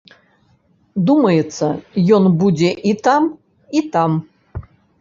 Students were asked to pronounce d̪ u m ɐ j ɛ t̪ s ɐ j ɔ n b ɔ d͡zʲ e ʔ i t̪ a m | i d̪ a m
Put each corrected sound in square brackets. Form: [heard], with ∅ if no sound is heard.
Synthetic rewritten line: d̪ u m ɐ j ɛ t̪ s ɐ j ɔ n b [u] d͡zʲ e ʔ i t̪ a m | i [t̪] a m